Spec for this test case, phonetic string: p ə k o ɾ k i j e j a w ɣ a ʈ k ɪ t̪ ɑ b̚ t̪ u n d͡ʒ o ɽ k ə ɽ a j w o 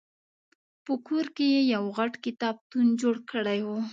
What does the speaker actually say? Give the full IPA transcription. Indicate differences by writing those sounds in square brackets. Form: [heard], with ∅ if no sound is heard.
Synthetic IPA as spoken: p ə k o ɾ k [e] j e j a w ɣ a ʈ k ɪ t̪ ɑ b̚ t̪ u n d͡ʒ o ɽ k ə ɽ a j w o